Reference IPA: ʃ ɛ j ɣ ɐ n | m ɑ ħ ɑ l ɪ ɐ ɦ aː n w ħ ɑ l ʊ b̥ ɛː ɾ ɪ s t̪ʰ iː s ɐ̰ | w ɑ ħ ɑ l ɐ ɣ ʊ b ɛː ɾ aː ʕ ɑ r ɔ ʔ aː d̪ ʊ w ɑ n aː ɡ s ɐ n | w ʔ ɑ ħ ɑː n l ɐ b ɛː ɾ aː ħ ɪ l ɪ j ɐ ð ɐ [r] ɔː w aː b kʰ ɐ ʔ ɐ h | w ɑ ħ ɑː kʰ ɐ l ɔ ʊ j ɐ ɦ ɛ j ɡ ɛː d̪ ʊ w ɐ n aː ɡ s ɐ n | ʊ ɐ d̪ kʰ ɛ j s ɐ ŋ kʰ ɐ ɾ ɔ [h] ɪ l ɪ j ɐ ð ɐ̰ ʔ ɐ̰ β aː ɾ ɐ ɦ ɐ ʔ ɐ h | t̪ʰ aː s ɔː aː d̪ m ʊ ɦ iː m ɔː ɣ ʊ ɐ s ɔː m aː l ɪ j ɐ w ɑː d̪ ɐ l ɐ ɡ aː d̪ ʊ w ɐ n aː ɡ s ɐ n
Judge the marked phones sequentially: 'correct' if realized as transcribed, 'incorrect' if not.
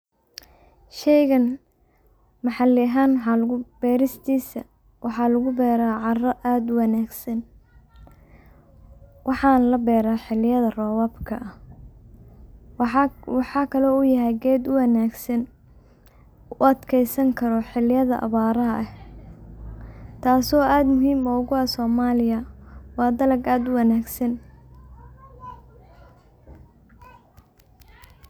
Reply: correct, incorrect

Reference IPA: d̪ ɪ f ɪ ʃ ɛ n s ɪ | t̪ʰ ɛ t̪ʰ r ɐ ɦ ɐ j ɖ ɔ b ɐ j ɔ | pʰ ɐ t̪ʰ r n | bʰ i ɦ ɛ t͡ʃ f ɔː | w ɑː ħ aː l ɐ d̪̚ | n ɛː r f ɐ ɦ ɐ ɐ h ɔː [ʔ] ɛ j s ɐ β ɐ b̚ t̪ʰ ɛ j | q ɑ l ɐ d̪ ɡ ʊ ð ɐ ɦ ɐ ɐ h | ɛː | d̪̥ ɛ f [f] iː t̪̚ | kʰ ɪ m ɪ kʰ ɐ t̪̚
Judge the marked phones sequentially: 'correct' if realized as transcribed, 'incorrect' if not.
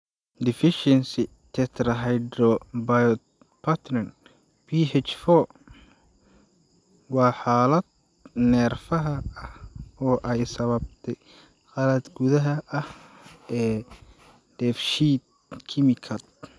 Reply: correct, incorrect

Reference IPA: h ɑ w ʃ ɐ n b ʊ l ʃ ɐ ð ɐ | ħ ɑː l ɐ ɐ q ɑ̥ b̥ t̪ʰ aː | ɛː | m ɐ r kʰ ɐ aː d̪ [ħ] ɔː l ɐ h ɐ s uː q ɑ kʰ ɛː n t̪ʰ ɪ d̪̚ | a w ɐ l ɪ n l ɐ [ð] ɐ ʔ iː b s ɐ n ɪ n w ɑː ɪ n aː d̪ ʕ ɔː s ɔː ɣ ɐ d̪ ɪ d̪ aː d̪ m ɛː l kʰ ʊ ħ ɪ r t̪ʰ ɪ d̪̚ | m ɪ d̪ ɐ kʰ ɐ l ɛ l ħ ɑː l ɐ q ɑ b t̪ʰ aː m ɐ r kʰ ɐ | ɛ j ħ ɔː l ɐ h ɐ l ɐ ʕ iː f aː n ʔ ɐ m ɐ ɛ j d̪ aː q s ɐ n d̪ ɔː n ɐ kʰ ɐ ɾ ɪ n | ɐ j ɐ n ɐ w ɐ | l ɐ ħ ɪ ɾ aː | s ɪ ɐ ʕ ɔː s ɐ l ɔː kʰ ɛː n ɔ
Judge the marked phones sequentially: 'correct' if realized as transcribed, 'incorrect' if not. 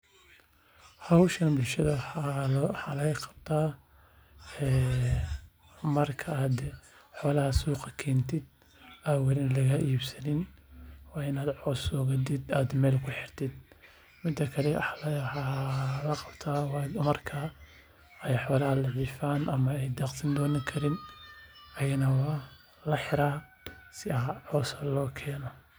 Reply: correct, incorrect

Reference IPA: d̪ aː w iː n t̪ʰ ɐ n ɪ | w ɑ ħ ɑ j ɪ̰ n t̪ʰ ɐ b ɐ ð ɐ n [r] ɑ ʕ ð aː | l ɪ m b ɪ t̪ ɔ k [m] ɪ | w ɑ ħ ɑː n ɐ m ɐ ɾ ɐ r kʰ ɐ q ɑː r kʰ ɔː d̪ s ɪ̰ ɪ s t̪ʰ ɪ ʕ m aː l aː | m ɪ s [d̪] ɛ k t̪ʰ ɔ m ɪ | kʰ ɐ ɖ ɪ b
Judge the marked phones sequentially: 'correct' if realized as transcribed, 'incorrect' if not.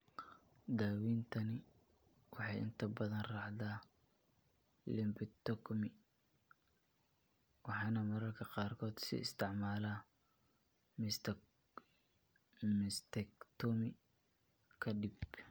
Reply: correct, correct, incorrect

